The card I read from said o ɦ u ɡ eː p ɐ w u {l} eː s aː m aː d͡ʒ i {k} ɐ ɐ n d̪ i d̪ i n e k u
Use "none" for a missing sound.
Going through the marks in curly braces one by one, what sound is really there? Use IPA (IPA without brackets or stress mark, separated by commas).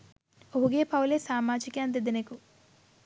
l, k